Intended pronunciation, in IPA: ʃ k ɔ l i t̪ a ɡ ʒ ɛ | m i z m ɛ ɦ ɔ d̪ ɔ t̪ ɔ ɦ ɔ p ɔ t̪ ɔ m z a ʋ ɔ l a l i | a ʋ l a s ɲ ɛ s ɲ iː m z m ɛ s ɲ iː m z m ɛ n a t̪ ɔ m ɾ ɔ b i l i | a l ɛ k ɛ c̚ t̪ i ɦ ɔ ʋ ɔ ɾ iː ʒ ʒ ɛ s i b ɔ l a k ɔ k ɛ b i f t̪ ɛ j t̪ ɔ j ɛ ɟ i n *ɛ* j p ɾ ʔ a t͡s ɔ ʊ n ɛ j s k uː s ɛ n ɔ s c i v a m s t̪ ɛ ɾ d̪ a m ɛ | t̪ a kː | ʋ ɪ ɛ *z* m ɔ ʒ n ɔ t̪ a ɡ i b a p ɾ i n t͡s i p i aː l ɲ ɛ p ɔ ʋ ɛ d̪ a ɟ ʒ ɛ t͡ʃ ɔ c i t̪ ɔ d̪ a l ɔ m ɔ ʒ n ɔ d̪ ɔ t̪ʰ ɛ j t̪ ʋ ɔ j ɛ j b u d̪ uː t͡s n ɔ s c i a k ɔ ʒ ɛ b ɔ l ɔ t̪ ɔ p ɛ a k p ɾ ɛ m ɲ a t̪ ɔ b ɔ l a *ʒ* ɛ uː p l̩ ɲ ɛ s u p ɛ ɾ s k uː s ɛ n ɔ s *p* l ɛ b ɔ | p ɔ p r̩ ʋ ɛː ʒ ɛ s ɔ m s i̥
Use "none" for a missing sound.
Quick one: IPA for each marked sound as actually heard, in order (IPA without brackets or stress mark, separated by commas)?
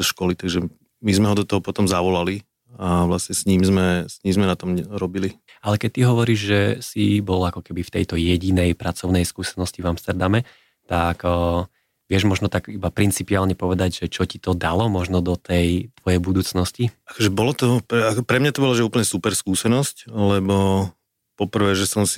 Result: ɛ, ʒ, ʒ, c